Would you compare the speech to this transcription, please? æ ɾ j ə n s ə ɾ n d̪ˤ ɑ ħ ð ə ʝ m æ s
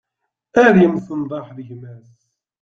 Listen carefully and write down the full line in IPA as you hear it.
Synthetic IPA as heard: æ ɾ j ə m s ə n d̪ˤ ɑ ħ ð ə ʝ m æ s